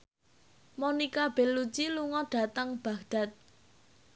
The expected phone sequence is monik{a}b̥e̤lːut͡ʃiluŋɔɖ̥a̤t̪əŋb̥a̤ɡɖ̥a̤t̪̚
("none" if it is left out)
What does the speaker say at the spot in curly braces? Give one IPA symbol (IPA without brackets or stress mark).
a